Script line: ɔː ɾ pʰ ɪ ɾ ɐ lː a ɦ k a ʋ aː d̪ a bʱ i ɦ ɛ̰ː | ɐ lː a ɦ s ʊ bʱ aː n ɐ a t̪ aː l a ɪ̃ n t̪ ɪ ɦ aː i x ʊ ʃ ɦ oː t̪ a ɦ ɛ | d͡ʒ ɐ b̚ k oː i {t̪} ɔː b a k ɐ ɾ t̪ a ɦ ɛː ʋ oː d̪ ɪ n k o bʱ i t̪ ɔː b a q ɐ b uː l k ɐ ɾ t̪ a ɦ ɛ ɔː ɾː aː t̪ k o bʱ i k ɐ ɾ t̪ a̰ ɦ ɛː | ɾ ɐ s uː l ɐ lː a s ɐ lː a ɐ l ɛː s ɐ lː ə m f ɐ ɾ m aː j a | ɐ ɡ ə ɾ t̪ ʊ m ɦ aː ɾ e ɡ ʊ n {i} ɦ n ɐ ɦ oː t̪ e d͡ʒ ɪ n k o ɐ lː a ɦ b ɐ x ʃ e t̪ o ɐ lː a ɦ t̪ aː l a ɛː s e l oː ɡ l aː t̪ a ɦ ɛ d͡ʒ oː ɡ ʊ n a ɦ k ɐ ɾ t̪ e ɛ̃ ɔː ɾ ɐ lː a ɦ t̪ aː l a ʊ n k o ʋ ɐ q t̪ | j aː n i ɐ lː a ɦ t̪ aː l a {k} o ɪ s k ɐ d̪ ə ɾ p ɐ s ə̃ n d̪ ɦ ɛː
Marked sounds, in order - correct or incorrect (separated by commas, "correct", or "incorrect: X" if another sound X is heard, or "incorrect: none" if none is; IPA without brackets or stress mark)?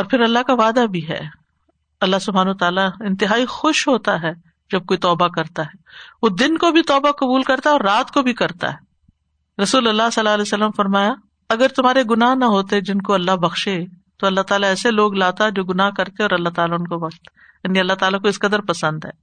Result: correct, incorrect: a, correct